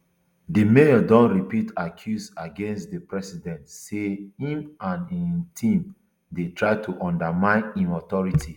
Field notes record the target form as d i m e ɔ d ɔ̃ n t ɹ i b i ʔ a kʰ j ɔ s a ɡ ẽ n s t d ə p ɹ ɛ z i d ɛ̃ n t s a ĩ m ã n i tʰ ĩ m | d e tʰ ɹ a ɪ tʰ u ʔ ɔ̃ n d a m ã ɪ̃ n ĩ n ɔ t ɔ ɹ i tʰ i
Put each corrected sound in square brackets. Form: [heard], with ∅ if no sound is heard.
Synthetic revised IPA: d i m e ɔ d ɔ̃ n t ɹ i [p] i [t] a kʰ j [u] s a ɡ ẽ n s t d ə p ɹ ɛ [s] i d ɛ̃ n t s [e] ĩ m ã n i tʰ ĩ m | d e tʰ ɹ a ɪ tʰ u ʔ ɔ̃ n d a m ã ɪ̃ n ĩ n ɔ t ɔ ɹ i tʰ i